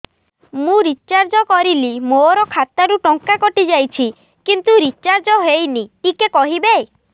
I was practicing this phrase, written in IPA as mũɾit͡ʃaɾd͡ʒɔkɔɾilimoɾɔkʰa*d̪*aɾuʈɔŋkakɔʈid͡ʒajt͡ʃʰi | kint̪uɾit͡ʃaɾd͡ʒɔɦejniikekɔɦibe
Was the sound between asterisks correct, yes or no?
no